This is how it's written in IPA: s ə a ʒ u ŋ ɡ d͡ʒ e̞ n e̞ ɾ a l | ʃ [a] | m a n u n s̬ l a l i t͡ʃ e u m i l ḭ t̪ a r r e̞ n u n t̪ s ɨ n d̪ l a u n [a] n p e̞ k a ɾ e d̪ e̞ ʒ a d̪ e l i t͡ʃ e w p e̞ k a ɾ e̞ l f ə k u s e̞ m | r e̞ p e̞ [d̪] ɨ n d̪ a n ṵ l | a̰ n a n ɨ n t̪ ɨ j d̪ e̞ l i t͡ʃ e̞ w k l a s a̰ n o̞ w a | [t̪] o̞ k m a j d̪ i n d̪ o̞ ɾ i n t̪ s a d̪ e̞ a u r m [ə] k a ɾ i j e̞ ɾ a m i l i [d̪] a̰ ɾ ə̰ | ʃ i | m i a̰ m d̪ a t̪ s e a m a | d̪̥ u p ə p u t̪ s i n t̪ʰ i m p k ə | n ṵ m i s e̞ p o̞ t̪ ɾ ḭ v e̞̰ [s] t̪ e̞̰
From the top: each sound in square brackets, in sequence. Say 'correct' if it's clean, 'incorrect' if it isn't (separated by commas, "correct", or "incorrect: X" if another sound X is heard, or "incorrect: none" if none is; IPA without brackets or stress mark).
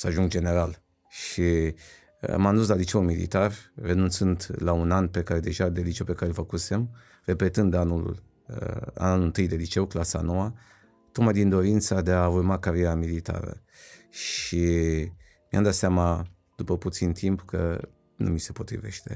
incorrect: i, correct, incorrect: t̪, correct, incorrect: a, incorrect: t̪, incorrect: ʃ